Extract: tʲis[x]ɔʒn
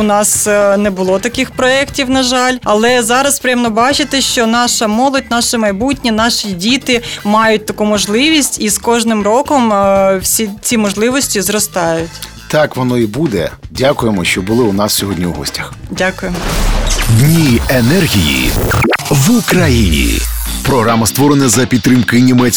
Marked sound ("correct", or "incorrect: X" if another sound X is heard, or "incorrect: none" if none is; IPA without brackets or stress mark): incorrect: k